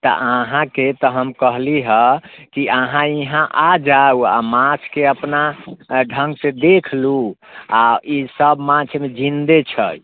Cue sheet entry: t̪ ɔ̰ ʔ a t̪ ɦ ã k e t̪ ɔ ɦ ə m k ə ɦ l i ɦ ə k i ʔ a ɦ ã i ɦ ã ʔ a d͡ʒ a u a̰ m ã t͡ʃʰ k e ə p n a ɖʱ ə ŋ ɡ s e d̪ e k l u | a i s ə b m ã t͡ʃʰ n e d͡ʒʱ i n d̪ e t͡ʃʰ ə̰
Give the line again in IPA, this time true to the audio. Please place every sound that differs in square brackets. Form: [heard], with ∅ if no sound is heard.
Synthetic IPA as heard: t̪ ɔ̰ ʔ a [∅] ɦ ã k e t̪ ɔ ɦ ə m k ə ɦ l i ɦ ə k i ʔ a ɦ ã i ɦ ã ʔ a d͡ʒ a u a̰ m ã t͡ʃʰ k e ə p n a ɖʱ ə ŋ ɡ s e d̪ e [kʰ] l u | a i s ə b m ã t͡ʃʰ [m] e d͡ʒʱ i n d̪ e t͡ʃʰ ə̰